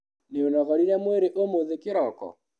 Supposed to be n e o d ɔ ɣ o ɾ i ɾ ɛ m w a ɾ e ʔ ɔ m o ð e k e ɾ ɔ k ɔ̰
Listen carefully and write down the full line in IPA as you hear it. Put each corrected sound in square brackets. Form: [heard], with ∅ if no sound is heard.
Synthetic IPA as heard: n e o [n] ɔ ɣ [ɔ] ɾ i ɾ ɛ m w [e] ɾ e ʔ [o] m o ð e k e ɾ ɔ k ɔ̰